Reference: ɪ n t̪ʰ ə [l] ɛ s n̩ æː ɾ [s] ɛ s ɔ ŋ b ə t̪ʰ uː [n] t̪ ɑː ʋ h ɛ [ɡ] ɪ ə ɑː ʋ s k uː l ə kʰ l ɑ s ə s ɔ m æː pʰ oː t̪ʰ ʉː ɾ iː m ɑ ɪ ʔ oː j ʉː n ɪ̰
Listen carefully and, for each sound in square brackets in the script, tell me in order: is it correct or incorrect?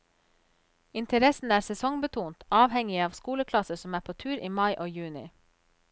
incorrect: ɾ, correct, correct, incorrect: ŋ

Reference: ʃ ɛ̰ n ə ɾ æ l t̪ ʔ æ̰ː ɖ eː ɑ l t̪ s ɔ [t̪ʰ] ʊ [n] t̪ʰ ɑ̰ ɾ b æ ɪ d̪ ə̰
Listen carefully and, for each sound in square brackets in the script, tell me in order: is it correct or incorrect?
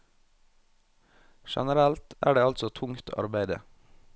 correct, incorrect: ŋ

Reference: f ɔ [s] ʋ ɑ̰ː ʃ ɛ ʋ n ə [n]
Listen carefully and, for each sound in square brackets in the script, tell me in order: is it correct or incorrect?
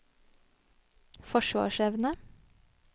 incorrect: ʃ, incorrect: none

